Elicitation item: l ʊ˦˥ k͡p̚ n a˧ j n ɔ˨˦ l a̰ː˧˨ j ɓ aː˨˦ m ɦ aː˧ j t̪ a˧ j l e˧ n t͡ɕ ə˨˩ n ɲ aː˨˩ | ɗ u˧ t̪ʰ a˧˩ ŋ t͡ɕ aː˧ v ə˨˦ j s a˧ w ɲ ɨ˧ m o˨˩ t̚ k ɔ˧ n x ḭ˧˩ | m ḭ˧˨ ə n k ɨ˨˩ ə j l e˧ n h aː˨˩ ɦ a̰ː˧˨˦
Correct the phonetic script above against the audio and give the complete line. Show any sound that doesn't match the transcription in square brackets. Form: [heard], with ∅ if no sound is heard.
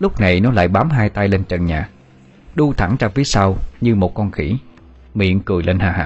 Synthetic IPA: l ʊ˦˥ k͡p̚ n [a˨˩] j n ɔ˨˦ l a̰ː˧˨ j ɓ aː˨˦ m ɦ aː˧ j t̪ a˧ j l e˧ n t͡ɕ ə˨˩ n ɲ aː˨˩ | ɗ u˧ t̪ʰ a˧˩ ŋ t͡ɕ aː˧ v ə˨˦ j s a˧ w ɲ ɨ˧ m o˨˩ t̚ k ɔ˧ n x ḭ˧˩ | m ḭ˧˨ ə n k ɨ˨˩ ə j l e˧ n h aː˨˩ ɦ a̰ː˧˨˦